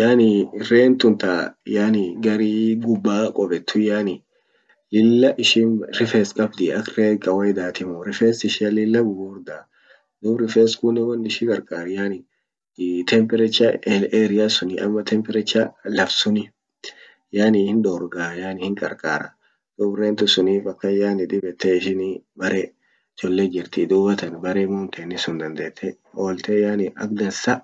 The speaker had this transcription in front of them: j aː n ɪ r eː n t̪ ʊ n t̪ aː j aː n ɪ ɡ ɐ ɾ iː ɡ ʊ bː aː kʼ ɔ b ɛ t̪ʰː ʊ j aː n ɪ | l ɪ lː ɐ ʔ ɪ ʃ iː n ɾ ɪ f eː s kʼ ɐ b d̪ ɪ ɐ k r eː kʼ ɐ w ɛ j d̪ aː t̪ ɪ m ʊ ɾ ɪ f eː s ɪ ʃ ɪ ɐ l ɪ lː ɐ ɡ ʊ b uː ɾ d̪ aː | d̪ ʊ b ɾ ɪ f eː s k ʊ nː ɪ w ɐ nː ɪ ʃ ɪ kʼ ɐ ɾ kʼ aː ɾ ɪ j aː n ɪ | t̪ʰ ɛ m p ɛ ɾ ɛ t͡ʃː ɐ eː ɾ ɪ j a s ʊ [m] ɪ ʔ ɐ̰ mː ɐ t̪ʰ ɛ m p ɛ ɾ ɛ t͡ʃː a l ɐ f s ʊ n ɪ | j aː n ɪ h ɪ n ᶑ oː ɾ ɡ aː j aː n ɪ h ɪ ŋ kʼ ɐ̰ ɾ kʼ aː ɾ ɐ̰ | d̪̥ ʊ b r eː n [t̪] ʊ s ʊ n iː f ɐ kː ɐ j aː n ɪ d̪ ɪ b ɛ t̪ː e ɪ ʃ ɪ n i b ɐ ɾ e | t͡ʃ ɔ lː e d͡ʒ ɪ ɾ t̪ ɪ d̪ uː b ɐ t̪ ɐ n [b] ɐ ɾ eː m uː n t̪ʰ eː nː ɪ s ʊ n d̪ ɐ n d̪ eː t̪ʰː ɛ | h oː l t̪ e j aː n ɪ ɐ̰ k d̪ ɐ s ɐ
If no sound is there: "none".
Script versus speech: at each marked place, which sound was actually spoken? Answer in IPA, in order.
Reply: n, t̪, b

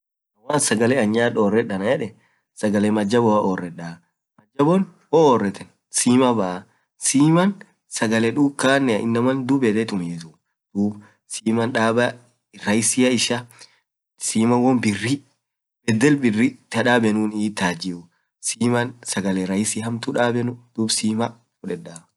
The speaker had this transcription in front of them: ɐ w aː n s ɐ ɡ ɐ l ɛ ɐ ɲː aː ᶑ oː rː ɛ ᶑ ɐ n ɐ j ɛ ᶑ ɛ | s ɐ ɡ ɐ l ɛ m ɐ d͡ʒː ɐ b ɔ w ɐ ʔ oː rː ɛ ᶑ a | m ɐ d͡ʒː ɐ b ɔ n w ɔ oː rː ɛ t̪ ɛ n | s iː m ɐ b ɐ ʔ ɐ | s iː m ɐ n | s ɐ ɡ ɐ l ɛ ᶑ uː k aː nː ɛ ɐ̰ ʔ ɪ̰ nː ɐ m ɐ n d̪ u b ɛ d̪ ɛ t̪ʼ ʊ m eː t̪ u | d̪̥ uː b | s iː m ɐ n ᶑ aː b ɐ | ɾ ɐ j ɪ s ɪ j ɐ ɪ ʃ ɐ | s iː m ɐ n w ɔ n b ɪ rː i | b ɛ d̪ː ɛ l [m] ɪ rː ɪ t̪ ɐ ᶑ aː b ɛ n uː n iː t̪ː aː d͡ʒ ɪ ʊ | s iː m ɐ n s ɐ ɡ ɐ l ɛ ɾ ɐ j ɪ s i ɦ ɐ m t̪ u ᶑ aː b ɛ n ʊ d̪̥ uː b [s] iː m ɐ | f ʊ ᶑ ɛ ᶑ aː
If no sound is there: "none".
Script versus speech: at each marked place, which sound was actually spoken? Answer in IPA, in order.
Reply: b, s

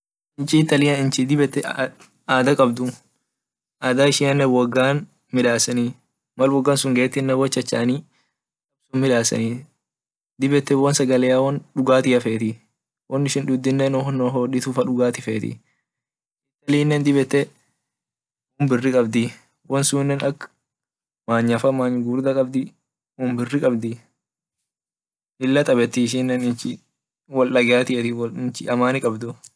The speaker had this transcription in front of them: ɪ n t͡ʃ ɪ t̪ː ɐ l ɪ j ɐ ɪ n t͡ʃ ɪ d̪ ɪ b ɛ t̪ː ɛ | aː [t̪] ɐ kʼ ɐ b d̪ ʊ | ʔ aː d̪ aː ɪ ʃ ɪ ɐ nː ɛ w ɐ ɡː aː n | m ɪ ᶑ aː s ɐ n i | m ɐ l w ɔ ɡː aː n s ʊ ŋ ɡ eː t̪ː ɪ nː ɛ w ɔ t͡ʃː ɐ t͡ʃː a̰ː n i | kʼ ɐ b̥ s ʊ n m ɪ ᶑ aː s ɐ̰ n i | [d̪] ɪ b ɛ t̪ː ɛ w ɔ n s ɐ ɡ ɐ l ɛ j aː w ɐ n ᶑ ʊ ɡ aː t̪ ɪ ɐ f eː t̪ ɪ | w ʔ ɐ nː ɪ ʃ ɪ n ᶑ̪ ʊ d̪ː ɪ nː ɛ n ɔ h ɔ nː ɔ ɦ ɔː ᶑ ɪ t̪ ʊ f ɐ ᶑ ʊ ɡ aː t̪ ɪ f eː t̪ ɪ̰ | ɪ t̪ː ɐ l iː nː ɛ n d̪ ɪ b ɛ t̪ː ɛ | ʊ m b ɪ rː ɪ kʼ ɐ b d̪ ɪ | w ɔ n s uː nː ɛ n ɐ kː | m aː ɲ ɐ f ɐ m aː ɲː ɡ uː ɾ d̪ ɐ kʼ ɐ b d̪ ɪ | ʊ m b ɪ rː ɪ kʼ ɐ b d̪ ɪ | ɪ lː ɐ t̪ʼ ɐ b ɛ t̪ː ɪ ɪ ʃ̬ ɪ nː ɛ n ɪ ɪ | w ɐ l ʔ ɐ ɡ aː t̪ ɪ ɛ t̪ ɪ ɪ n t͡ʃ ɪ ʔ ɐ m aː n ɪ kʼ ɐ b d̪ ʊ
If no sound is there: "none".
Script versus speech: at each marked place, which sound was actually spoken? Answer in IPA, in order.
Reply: d̪, d̪

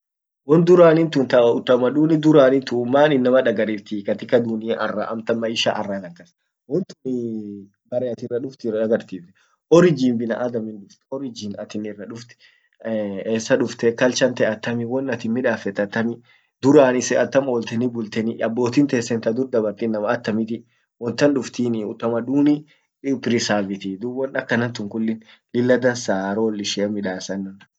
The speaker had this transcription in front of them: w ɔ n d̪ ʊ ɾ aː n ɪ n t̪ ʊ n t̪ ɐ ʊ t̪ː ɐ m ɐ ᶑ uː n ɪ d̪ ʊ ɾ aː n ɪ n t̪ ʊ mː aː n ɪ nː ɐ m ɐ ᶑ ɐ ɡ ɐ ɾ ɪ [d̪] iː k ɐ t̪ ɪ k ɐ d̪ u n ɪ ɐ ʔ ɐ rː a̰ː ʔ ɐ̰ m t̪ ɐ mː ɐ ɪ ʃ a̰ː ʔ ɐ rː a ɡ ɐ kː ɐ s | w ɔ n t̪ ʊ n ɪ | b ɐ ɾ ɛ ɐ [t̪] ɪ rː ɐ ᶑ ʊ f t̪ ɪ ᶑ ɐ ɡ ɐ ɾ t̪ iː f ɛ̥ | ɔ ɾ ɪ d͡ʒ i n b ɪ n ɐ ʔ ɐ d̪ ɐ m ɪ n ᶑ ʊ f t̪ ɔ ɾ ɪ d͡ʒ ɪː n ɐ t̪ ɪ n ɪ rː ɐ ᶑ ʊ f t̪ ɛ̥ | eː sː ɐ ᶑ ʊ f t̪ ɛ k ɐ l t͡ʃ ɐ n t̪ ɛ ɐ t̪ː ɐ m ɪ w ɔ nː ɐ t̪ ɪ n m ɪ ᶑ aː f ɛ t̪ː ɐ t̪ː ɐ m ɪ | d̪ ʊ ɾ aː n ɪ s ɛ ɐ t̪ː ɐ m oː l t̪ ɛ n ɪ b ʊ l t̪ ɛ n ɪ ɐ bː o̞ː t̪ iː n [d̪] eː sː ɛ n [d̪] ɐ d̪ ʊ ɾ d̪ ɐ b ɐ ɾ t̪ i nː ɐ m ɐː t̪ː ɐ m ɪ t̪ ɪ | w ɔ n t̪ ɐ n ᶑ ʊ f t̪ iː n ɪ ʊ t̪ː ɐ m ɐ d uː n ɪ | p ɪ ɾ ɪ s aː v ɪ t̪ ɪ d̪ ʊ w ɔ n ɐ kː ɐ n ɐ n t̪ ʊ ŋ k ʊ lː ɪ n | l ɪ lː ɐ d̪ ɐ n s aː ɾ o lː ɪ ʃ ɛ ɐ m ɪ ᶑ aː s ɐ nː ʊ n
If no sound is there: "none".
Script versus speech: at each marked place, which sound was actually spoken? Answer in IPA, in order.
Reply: t̪, t̪, t̪, t̪

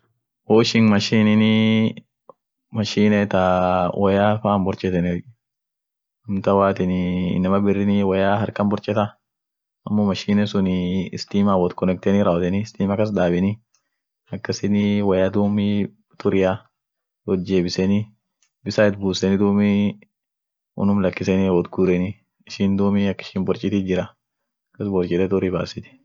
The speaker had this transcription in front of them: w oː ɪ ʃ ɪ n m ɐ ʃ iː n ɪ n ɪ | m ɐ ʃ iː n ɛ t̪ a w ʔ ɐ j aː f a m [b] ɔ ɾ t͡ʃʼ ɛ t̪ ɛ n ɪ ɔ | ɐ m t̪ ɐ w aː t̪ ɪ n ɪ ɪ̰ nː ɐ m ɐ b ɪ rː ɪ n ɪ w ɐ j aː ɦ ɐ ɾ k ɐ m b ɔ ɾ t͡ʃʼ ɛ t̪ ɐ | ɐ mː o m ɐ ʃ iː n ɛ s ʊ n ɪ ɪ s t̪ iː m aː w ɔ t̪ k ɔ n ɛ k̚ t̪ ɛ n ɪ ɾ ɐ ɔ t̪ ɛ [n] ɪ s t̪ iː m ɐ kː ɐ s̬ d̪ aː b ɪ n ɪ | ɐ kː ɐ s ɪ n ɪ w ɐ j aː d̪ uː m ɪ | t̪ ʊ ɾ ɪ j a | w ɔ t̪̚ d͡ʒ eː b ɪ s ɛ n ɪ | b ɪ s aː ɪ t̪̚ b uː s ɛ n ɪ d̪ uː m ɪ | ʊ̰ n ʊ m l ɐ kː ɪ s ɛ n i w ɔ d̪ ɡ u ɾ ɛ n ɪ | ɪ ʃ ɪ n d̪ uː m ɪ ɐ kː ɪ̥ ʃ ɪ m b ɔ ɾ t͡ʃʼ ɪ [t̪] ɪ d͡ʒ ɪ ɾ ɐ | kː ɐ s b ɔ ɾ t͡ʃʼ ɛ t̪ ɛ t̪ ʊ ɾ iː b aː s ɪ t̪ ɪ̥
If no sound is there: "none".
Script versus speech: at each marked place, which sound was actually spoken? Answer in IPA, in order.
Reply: b, n, t̪

